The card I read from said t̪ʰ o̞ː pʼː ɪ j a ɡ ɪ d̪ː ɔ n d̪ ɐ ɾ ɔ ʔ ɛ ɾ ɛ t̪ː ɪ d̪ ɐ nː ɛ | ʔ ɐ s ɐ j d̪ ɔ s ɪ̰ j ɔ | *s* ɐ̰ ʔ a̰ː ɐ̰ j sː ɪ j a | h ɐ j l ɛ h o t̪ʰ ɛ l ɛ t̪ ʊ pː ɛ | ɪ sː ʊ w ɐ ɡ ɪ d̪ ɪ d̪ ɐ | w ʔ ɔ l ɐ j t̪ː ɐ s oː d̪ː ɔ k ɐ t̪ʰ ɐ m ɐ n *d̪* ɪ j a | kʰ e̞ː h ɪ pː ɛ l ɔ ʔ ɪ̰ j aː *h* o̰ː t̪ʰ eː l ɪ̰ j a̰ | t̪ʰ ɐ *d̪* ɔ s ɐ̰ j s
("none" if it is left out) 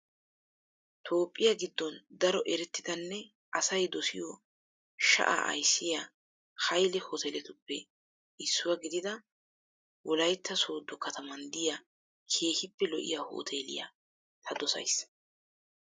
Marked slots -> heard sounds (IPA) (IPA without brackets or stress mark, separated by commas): ʃ, d̪, h, d̪